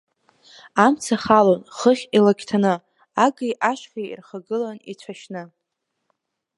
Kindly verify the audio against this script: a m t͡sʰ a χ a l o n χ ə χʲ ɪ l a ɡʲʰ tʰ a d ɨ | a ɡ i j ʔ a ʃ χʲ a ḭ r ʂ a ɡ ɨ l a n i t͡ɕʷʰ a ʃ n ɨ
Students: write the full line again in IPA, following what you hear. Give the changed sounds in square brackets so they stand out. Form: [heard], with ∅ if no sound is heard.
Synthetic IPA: a m t͡sʰ a χ a l o n χ ə χʲ [i] l a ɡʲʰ tʰ a [n] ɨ | a ɡ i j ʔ a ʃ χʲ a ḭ r [χ] a ɡ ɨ l a n i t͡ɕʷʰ a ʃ n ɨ